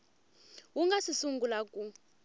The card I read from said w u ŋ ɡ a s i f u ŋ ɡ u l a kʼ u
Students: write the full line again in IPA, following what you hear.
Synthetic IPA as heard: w u ŋ ɡ a s i s u ŋ ɡ u l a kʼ u